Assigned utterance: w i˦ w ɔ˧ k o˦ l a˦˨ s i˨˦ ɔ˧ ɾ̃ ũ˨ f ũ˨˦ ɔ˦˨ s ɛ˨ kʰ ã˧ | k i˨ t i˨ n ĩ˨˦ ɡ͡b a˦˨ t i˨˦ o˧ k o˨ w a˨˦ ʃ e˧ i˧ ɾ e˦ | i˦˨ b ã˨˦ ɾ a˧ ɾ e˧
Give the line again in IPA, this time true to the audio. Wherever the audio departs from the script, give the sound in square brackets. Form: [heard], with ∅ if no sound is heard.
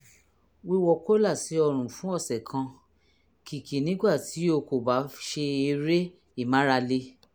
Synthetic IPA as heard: w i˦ w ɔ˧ k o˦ l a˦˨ s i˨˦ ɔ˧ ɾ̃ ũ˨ f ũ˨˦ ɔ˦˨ s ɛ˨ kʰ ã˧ | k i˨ [k] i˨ n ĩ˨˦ ɡ͡b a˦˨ t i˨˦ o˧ k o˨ [b] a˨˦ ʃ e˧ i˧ ɾ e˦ | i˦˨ [m] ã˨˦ ɾ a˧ [l] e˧